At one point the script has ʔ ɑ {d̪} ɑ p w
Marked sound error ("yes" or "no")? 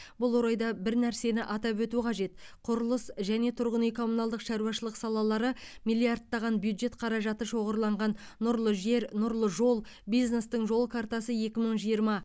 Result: yes